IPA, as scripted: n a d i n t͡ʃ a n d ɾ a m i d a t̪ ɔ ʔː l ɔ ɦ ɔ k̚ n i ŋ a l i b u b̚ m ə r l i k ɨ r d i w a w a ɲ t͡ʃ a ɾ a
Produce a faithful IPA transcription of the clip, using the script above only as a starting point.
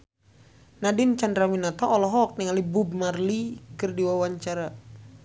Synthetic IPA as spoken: n a d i n t͡ʃ a n d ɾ a m i n a t̪ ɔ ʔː l ɔ ɦ ɔ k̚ n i ŋ a l i b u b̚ m a r l i k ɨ r d i w a w a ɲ t͡ʃ a ɾ a